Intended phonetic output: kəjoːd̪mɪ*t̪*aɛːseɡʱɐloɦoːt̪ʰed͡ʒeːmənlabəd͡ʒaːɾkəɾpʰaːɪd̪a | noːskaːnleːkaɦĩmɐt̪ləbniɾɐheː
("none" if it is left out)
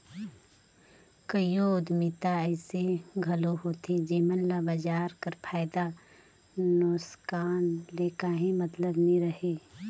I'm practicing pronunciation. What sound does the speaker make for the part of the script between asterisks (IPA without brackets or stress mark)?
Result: t̪